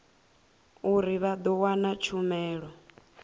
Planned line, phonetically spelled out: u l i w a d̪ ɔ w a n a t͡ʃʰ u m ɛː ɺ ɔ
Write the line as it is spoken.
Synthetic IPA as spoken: u ɾ i β a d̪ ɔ w a n a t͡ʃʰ u m ɛː ɺ ɔ